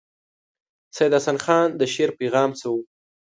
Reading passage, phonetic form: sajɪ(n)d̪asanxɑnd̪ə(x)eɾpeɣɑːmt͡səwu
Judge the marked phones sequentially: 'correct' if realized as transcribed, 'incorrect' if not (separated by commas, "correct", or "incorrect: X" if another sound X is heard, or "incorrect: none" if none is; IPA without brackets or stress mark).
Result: incorrect: none, incorrect: ʃ